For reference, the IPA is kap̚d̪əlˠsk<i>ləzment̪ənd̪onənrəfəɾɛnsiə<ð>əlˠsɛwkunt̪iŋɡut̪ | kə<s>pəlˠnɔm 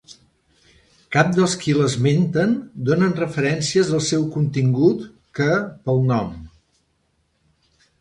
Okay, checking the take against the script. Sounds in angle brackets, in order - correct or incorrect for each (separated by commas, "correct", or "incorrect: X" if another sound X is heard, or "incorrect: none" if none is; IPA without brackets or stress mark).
correct, incorrect: z, incorrect: none